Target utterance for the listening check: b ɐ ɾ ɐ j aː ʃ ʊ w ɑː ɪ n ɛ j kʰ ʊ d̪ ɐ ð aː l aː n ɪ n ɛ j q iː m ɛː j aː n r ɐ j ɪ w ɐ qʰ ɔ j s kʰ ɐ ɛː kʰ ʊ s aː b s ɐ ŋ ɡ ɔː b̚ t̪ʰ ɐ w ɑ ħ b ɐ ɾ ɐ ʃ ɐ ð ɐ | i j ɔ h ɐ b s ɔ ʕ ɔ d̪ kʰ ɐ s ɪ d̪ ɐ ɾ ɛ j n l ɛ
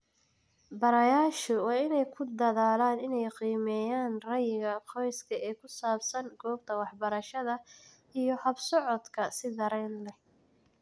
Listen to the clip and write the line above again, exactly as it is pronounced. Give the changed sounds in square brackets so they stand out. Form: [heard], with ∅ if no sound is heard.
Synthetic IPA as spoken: b ɐ ɾ ɐ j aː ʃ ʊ w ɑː ɪ n ɛ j kʰ ʊ d̪ ɐ ð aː l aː n ɪ n ɛ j q iː m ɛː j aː n r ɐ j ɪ [ɣ] ɐ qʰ ɔ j s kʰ ɐ ɛː kʰ ʊ s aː b s ɐ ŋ ɡ ɔː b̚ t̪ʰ ɐ w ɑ ħ b ɐ ɾ ɐ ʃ ɐ ð ɐ | i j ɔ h ɐ b s ɔ ʕ ɔ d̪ kʰ ɐ s ɪ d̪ ɐ ɾ ɛ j n l ɛ